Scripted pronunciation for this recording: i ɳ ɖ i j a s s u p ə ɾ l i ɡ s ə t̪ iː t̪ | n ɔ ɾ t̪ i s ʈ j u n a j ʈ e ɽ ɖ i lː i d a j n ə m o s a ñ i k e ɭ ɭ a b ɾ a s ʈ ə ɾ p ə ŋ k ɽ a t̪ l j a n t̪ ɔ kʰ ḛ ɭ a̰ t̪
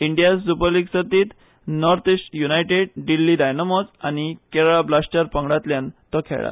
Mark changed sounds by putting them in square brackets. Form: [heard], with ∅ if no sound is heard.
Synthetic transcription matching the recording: i ɳ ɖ i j a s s u p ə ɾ l i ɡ s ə t̪ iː t̪ | n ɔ ɾ t̪ i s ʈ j u n a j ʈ e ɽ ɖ i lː i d a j n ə m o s a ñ i k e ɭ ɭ a b [l] a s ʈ ə ɾ p ə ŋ [ɡ] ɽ a t̪ l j a n t̪ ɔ kʰ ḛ ɭ a̰ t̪